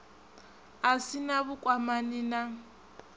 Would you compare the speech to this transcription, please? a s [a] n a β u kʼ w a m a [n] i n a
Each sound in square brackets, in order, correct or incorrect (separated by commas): incorrect, correct